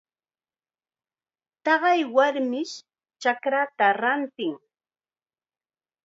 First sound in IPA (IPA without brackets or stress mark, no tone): t̪